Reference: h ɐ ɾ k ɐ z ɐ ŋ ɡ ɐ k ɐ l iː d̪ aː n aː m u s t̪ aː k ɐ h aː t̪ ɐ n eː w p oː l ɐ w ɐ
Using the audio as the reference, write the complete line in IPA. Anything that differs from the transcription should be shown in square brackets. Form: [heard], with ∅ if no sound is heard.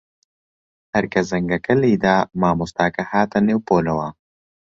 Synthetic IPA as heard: h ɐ ɾ k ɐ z ɐ ŋ ɡ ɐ k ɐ l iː d̪ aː [m] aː m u s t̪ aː k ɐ h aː t̪ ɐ n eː w p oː l ɐ w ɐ